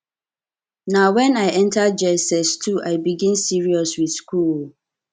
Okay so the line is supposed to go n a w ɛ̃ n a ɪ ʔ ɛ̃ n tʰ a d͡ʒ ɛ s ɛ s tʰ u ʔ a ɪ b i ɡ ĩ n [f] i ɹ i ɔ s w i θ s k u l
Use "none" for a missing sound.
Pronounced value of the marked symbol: s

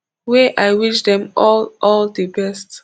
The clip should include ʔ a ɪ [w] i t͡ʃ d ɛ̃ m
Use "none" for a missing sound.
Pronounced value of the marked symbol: w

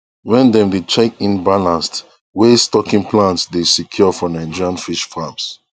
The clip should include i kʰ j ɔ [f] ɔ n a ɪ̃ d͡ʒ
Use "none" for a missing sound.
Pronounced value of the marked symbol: f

